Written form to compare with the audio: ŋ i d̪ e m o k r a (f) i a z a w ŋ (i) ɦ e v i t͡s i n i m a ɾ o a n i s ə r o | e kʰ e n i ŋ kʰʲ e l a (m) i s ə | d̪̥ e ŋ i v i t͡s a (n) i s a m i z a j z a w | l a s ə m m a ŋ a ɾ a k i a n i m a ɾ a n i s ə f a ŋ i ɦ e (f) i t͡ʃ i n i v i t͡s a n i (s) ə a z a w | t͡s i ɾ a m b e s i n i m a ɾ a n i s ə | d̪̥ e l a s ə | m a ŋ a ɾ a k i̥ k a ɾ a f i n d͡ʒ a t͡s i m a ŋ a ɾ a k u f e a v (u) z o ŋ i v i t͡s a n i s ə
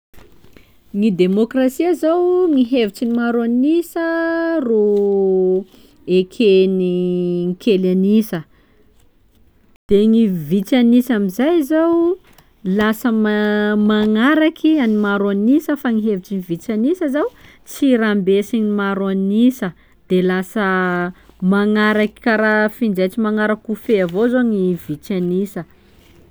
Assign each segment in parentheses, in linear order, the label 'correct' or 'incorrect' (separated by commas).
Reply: incorrect, correct, incorrect, correct, incorrect, correct, incorrect